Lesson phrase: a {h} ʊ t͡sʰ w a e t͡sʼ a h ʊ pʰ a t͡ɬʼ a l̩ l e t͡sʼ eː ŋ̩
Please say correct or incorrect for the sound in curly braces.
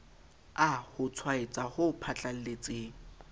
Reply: correct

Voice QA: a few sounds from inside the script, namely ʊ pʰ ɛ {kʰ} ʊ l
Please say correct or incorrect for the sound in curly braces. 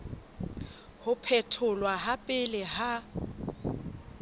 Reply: incorrect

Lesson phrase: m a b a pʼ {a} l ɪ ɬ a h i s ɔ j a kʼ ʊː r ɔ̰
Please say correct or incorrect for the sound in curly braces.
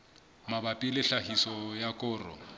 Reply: incorrect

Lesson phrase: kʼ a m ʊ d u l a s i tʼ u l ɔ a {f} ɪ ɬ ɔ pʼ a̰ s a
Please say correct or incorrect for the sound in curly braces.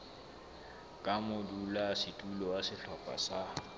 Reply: incorrect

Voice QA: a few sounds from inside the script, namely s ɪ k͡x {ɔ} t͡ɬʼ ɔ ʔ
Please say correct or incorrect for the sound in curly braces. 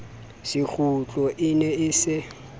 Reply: incorrect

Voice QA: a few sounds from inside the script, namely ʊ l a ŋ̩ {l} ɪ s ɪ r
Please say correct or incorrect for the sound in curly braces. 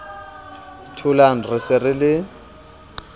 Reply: incorrect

